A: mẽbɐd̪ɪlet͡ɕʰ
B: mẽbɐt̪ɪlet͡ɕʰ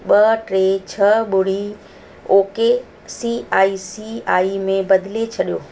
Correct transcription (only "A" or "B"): A